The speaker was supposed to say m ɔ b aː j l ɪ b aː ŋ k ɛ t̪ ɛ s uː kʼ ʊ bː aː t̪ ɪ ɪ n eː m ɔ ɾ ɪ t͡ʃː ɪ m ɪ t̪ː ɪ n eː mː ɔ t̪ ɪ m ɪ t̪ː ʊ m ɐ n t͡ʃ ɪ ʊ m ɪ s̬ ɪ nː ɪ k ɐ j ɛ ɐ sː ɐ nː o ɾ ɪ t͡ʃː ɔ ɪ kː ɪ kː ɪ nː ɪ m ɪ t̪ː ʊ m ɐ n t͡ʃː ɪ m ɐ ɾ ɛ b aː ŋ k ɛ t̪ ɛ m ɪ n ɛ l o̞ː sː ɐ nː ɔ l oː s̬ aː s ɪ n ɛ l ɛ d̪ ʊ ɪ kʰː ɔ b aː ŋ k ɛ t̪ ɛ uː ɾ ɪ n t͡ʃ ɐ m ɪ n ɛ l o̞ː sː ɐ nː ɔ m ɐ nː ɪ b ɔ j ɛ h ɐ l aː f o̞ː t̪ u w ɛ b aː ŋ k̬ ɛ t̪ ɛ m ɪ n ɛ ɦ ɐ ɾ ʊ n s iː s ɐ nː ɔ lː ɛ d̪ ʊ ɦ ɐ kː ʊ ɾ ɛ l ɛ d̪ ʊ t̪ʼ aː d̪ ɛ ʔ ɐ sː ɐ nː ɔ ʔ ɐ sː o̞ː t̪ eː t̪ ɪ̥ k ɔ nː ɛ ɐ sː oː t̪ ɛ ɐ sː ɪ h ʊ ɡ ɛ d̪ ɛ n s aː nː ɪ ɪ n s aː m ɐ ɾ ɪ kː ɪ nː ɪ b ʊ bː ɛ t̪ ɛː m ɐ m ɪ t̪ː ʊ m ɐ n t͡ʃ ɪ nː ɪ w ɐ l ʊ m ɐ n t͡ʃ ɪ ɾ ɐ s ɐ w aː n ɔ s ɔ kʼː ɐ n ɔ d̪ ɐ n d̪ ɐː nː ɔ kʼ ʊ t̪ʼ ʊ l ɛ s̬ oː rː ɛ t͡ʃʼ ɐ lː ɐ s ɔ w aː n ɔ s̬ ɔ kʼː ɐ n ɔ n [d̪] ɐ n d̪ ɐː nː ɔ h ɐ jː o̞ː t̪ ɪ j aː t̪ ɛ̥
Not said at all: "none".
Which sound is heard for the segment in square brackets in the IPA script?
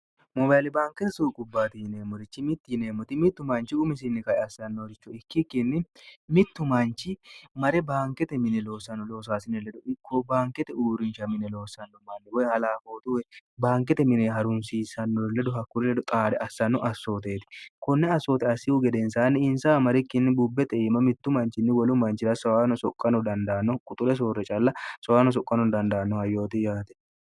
d̪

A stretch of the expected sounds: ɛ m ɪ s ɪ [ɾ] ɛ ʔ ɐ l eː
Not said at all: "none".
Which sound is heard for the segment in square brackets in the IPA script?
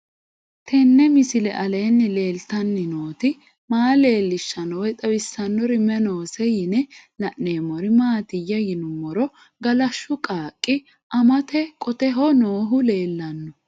l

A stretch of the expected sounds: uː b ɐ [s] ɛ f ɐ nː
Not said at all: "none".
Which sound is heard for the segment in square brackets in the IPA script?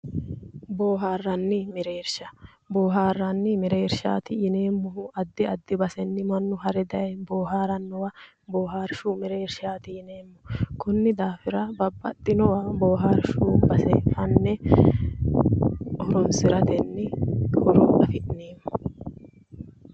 s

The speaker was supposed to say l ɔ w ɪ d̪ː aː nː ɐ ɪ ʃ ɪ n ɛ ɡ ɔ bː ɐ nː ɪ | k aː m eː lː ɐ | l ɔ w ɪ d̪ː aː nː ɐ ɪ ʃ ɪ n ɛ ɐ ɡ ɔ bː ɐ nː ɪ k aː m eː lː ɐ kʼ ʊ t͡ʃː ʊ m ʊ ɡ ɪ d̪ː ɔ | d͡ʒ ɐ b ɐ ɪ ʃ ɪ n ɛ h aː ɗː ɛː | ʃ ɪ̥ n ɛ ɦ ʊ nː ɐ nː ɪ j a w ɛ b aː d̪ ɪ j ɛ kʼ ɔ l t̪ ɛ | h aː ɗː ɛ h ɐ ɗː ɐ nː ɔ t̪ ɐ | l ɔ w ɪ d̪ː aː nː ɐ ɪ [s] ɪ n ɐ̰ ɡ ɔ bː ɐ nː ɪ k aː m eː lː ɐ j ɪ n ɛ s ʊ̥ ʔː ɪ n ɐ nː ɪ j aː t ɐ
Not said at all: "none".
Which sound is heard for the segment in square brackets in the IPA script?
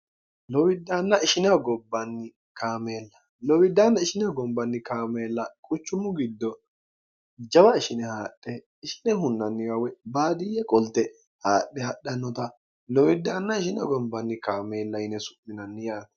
ʃ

